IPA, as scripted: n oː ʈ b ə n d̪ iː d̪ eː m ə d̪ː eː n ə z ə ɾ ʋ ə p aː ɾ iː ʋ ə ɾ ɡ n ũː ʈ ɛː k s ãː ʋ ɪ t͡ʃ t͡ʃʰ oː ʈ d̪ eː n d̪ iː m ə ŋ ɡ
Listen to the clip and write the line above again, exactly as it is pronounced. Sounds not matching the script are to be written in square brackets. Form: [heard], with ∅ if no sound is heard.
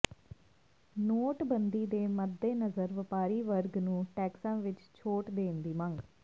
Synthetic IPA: n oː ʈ b ə n d̪ iː d̪ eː m ə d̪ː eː n ə z ə ɾ ʋ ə p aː ɾ iː ʋ ə ɾ ɡ n ũː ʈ ɛː k s ãː ʋ ɪ t͡ʃ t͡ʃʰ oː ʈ d̪ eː n d̪ iː m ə ŋ ɡ